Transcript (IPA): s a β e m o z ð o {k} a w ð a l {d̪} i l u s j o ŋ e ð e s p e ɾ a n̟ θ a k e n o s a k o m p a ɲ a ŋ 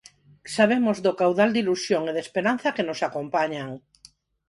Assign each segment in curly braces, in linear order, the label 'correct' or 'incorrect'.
correct, correct

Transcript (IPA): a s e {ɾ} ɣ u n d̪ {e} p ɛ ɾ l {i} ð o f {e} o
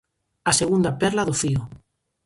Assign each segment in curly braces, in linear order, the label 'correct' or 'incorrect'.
incorrect, incorrect, incorrect, incorrect

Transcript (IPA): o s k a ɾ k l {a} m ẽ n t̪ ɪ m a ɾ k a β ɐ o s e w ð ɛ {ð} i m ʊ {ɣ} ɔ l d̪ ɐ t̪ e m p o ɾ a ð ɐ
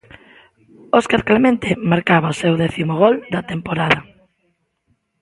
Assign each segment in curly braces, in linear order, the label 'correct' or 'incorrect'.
incorrect, incorrect, correct

